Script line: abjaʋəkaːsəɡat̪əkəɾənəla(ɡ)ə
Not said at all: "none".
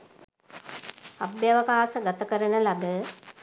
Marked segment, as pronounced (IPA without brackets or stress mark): ɡ